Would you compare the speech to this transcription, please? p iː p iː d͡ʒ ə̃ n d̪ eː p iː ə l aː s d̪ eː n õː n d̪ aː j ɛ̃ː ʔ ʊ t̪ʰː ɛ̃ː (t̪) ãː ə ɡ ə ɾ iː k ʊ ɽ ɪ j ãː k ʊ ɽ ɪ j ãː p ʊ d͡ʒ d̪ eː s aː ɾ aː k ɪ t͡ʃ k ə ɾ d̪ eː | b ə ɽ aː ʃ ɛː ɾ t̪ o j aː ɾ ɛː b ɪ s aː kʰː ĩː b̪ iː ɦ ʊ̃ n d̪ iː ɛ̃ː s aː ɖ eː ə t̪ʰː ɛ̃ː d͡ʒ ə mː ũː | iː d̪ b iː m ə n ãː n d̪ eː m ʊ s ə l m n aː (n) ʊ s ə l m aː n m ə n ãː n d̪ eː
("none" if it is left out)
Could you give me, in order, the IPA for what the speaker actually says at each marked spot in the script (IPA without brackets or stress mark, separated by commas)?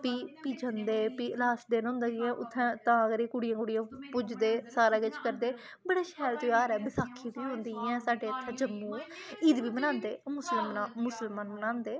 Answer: t̪, m